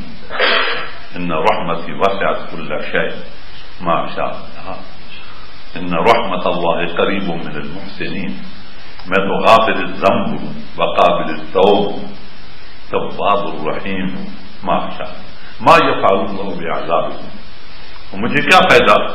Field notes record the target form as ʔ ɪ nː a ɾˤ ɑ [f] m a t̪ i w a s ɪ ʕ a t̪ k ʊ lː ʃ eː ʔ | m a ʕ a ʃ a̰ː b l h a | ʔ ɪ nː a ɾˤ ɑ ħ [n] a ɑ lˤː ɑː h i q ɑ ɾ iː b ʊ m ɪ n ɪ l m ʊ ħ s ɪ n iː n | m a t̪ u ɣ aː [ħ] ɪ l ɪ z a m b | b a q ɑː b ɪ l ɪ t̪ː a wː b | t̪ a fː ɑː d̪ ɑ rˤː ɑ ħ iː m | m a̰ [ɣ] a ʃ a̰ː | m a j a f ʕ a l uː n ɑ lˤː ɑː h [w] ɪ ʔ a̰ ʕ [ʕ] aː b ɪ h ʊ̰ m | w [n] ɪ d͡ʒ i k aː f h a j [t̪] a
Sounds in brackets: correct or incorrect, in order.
incorrect: ħ, incorrect: m, incorrect: f, incorrect: ʕ, incorrect: b, incorrect: z, incorrect: m, incorrect: d̪

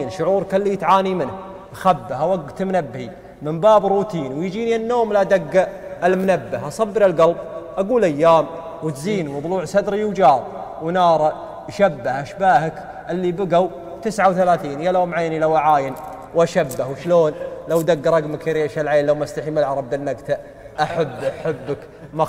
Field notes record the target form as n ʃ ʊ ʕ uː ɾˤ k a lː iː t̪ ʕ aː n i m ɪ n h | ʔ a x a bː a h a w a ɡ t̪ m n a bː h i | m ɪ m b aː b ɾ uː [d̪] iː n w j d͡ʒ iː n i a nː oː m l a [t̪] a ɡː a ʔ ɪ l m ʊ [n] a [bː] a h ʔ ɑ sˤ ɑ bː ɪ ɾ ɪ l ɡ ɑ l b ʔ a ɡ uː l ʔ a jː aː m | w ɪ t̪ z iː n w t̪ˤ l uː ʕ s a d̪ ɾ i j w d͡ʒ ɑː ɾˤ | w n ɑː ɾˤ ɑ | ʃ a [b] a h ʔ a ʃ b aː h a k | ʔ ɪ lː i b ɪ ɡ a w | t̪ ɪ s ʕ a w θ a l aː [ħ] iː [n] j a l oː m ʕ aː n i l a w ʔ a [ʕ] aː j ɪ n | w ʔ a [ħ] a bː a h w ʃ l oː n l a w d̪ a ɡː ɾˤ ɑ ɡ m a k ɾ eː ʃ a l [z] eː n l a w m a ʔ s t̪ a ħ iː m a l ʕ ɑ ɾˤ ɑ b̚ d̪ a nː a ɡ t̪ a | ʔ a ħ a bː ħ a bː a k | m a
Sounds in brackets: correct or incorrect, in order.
incorrect: t̪, incorrect: d̪, correct, correct, incorrect: bː, incorrect: θ, correct, correct, incorrect: ʃ, incorrect: ʕ

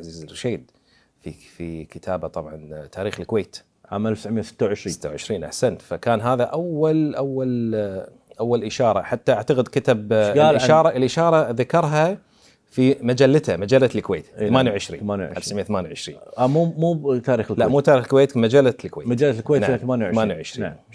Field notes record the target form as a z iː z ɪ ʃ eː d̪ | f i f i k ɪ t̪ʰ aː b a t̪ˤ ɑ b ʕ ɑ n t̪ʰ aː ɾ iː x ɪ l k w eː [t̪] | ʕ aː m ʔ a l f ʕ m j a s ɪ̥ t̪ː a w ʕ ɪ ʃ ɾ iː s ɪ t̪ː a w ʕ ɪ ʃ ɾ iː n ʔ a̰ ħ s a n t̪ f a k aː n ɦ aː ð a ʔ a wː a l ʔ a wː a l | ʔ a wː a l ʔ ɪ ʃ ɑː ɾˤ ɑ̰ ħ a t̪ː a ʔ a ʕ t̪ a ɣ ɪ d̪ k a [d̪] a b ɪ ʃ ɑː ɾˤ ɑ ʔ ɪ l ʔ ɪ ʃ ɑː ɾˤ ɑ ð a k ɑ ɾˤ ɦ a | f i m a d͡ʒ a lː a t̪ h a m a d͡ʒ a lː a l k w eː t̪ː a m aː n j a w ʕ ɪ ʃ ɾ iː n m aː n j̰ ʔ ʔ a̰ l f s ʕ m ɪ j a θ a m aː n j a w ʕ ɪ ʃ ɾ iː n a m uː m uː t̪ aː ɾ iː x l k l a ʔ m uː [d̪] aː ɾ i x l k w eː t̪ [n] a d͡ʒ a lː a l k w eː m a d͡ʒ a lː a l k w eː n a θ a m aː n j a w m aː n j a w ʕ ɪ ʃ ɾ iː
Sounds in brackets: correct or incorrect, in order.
correct, incorrect: t̪, incorrect: t̪, incorrect: m

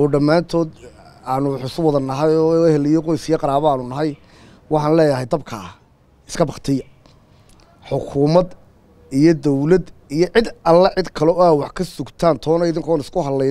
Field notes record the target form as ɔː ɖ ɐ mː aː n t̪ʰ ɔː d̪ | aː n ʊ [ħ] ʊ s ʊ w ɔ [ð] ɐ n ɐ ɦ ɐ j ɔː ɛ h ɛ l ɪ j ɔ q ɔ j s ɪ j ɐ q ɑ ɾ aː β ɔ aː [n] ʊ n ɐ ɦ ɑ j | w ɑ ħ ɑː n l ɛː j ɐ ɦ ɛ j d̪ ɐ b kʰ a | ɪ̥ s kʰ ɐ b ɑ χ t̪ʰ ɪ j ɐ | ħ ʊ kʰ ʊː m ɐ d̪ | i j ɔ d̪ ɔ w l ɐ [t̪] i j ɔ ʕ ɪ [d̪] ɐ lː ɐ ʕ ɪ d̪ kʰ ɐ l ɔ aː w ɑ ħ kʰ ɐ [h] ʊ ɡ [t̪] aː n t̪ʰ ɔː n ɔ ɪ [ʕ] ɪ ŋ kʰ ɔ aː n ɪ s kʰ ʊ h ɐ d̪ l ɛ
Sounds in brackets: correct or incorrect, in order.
correct, correct, correct, incorrect: d̪, correct, incorrect: s, incorrect: t̪ʰ, incorrect: ð

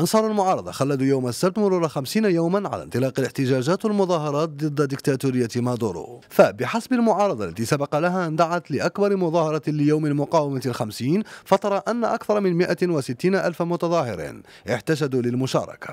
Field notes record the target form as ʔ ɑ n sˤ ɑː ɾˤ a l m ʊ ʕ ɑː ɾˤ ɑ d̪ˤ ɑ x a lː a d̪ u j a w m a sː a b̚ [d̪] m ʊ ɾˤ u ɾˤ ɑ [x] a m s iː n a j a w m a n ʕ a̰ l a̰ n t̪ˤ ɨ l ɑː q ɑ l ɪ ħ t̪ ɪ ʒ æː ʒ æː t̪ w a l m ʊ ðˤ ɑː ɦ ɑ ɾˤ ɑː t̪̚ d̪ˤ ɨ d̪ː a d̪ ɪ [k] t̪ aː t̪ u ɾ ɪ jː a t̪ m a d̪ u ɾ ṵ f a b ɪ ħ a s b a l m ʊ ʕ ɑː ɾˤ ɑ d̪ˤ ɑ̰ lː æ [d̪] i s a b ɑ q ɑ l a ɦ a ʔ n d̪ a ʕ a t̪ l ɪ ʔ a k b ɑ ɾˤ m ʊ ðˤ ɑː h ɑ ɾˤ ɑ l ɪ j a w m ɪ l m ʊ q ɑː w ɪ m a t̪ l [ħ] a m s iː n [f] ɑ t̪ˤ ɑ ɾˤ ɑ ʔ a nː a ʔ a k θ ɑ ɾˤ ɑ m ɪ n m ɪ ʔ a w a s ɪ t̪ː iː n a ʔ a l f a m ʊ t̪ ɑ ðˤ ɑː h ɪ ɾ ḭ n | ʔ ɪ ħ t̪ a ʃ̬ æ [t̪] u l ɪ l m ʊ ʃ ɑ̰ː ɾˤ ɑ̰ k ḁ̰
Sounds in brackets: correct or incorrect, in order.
incorrect: t̪, correct, correct, incorrect: t̪, incorrect: x, correct, incorrect: d̪

